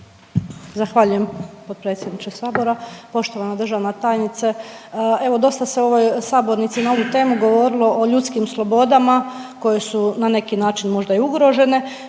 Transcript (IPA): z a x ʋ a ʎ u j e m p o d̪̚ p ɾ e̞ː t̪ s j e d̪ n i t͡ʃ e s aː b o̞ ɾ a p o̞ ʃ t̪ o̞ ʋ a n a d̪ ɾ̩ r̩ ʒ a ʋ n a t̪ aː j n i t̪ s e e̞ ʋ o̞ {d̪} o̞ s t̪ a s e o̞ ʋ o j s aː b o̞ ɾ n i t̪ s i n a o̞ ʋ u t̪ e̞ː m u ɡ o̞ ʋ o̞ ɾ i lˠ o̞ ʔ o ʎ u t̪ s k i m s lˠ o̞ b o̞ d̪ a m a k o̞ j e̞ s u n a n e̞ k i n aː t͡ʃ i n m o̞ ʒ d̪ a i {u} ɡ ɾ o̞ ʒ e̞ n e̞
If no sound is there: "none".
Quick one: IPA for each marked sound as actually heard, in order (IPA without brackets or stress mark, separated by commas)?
d̪, u